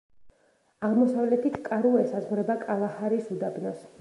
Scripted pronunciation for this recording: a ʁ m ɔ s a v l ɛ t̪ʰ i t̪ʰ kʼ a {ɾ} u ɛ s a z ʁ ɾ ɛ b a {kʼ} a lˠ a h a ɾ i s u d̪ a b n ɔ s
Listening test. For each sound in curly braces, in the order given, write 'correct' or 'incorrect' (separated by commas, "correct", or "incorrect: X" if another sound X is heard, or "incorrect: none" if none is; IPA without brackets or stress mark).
correct, correct